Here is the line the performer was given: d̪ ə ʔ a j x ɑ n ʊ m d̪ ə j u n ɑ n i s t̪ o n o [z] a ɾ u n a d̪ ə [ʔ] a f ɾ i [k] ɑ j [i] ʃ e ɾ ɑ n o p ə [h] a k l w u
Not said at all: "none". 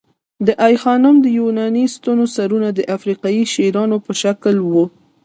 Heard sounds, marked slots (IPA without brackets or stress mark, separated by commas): s, ʔ, q, i, ʃ